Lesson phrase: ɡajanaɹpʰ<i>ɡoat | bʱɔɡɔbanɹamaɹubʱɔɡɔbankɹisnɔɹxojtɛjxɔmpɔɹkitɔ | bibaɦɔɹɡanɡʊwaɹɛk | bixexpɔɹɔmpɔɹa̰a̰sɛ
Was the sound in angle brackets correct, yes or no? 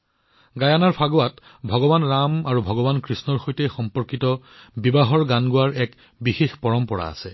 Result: no